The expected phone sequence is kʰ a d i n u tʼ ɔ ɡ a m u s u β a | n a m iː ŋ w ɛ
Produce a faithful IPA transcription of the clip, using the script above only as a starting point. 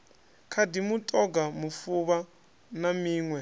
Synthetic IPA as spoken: kʰ a d i m u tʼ ɔ ɡ a m u f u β a | n a m iː ŋ w ɛ